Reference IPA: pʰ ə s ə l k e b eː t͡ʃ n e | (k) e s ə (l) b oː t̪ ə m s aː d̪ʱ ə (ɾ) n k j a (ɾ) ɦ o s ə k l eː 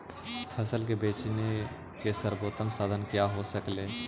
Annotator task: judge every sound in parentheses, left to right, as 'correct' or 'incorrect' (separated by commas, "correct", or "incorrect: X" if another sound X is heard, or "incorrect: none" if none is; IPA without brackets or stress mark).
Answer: correct, incorrect: ɾ, incorrect: none, incorrect: none